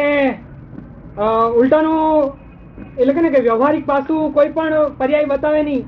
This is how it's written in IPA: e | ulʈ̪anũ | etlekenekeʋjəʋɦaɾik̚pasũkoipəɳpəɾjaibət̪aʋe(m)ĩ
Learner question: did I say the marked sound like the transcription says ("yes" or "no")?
no